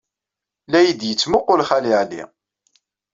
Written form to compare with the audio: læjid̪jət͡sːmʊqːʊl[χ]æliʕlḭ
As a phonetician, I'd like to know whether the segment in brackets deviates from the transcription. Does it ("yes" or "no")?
no